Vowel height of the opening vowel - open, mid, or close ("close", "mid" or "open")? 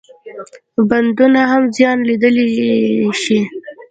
open